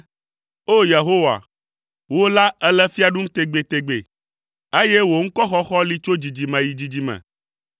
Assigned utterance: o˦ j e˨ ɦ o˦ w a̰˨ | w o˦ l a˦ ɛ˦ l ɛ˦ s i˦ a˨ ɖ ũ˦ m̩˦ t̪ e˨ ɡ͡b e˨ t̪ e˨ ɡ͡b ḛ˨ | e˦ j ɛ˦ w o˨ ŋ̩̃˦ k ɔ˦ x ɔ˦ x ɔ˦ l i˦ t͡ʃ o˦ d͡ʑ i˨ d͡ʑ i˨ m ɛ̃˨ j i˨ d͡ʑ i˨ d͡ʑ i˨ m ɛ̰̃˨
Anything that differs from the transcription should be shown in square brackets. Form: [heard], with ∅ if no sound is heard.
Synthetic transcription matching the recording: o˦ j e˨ ɦ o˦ w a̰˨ | w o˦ l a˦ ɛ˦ l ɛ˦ [f] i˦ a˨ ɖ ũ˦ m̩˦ t̪ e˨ ɡ͡b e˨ t̪ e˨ ɡ͡b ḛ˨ | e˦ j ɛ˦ w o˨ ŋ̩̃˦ k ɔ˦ x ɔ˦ x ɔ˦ l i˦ t͡ʃ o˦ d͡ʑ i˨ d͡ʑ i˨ m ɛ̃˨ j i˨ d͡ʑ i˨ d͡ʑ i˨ m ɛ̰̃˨